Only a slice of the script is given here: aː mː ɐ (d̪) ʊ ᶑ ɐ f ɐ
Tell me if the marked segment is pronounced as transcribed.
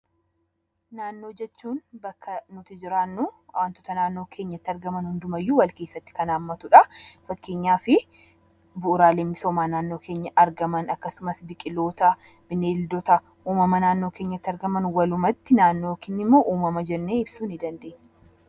no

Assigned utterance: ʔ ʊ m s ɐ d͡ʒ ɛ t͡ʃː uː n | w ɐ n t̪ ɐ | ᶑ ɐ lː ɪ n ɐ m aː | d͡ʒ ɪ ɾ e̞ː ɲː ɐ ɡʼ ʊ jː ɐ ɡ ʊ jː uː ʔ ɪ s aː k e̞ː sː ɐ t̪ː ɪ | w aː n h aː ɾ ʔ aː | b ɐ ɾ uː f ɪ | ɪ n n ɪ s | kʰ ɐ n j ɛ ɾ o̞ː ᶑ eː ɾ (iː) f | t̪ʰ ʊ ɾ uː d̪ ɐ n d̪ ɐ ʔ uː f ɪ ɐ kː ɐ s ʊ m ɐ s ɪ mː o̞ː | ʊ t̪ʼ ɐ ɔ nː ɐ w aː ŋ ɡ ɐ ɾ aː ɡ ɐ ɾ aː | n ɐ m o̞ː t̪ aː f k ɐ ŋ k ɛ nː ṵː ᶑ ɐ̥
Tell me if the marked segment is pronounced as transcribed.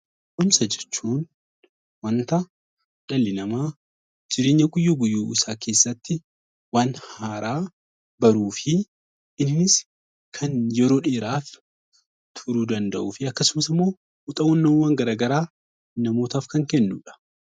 no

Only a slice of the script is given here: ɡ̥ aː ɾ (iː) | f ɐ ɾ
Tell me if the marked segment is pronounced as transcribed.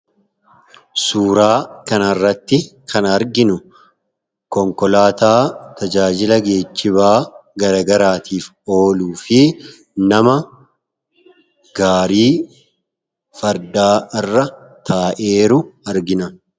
yes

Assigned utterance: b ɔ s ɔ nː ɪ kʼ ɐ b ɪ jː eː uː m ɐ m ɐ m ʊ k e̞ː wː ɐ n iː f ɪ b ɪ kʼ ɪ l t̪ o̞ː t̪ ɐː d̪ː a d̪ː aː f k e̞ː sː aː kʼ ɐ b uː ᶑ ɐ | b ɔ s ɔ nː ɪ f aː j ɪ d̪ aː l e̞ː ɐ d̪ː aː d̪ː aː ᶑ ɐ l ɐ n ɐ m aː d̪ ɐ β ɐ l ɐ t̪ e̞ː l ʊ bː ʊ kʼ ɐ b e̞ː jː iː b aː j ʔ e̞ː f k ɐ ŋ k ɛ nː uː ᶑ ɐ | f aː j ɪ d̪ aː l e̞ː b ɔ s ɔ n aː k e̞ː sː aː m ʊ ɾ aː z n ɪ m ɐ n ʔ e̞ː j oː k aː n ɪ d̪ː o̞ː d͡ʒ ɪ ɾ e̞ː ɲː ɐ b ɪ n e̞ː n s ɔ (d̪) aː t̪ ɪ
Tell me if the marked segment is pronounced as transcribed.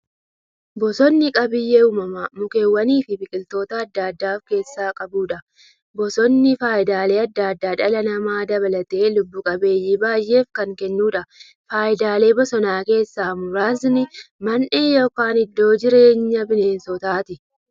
no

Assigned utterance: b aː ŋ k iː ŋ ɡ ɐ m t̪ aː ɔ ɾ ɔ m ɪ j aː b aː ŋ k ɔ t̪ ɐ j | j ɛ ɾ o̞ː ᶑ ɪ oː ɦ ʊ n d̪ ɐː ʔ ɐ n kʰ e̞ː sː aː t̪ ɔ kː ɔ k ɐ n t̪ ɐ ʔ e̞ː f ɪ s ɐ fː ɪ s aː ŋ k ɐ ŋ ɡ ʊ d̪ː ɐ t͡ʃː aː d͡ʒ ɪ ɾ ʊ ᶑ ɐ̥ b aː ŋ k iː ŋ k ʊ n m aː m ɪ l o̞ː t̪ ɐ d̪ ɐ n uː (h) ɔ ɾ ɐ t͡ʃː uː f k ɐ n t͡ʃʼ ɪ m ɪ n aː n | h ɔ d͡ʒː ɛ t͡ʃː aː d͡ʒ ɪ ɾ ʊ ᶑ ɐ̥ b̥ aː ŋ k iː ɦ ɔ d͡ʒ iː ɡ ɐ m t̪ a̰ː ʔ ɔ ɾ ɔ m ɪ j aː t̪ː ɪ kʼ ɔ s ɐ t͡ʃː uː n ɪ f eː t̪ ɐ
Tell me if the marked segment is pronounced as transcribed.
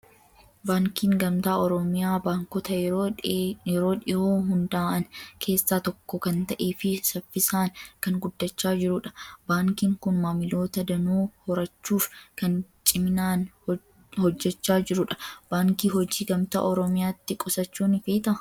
yes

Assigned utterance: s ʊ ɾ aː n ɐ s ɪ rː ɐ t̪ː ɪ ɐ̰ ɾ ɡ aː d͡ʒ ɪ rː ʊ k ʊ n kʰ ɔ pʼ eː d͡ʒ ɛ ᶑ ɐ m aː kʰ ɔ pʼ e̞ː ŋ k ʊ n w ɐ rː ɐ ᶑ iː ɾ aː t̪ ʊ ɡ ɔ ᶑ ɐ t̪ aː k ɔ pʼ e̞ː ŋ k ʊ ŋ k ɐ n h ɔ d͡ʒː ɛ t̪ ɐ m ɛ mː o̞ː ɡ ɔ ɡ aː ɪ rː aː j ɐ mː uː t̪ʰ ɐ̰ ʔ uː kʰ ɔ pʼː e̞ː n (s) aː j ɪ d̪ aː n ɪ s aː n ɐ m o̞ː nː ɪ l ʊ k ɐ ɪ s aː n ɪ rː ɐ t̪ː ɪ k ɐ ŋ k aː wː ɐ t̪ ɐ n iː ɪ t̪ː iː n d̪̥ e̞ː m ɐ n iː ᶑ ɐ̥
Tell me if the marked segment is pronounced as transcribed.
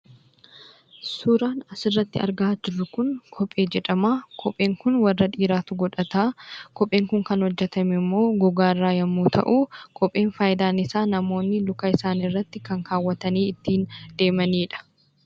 no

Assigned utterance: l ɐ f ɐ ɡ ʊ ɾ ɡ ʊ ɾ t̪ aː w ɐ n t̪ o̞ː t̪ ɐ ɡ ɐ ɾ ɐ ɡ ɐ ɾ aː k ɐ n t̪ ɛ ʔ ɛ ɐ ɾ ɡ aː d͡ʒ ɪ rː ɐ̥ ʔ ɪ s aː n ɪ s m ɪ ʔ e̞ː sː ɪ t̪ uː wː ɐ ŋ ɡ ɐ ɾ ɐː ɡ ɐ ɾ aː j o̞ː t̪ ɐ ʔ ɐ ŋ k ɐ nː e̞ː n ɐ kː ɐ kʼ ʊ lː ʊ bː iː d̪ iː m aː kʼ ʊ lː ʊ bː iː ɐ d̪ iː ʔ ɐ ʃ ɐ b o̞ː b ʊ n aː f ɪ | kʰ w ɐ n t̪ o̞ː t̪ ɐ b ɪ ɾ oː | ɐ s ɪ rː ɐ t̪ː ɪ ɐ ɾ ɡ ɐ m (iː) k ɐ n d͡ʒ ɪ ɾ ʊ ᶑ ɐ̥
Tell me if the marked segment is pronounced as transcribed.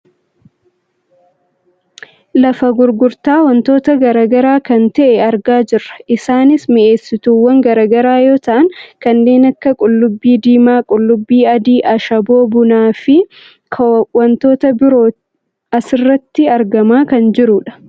no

